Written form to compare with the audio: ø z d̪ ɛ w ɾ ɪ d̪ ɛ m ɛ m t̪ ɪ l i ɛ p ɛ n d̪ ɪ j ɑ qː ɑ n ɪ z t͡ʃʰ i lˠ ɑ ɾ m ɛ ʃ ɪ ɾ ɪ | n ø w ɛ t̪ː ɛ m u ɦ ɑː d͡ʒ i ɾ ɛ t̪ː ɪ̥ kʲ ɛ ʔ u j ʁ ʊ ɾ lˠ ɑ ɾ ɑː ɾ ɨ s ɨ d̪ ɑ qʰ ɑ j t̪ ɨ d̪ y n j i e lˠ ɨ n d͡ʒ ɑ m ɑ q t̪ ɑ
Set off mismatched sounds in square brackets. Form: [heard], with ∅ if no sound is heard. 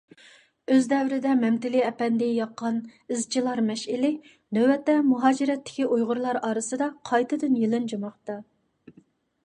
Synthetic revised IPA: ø z d̪ ɛ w ɾ ɪ d̪ ɛ m ɛ m t̪ ɪ l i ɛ p ɛ n d̪ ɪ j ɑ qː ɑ n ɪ z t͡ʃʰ i lˠ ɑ ɾ m ɛ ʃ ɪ [l] ɪ | n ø w ɛ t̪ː ɛ m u ɦ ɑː d͡ʒ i ɾ ɛ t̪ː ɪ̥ kʲ [i] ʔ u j ʁ ʊ ɾ lˠ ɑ ɾ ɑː ɾ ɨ s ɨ d̪ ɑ qʰ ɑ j t̪ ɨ d̪ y n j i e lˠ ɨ n d͡ʒ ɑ m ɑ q t̪ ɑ